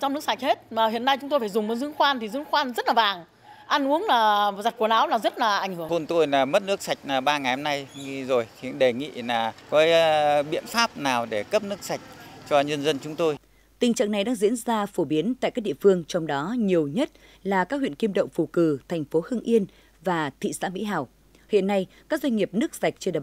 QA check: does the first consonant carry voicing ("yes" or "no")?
no